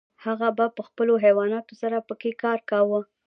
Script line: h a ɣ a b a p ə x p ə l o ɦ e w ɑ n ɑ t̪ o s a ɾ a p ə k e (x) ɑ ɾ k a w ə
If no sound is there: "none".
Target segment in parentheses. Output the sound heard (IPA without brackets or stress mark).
k